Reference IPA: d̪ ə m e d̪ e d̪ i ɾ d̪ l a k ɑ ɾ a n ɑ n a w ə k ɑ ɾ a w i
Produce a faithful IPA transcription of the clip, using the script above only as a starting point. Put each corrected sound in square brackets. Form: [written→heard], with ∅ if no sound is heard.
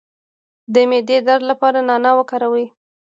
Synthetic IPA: d̪ ə m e d̪ e d̪ [i→a] ɾ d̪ l a [k→p] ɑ ɾ a n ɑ n a w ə k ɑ ɾ a w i